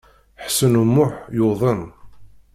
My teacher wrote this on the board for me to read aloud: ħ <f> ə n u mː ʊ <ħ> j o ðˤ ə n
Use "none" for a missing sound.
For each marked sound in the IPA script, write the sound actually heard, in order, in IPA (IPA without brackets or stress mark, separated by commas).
s, ħ